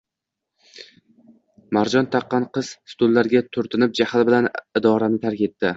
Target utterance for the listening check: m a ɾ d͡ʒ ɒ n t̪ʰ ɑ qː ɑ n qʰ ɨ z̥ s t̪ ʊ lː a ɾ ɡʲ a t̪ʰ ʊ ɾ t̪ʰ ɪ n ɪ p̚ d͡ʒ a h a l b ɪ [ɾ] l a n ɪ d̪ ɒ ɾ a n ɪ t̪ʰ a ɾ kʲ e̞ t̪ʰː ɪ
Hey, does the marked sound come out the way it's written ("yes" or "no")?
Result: no